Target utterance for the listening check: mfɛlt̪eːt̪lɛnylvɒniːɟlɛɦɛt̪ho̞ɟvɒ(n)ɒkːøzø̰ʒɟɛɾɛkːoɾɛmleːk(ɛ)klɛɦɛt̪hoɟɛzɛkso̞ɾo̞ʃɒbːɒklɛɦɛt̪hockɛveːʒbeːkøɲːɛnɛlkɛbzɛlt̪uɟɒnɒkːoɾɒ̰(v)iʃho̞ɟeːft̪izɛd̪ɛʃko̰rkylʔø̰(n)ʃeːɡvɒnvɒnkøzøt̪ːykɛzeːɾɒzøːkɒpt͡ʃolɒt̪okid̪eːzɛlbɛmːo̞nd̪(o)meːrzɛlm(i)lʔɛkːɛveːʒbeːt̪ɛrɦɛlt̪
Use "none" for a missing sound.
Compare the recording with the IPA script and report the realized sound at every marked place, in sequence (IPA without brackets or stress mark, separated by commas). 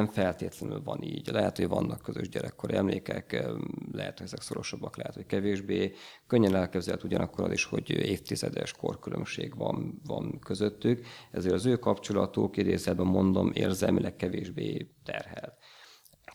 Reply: nː, ɛ, z, m, o, i